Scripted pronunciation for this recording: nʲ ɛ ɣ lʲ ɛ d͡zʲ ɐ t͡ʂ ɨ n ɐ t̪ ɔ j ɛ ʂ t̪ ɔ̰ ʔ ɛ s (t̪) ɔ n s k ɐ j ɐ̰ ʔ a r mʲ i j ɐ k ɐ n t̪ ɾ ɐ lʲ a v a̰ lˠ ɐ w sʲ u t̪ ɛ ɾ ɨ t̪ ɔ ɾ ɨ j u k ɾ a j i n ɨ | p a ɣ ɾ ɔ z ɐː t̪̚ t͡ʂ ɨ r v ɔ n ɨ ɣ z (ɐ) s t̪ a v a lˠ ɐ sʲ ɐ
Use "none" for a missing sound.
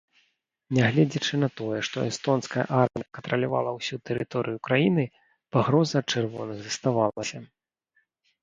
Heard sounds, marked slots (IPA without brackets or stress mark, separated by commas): t̪, ɐ